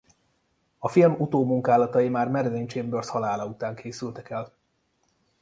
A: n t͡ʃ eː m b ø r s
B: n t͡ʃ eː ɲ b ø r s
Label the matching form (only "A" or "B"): A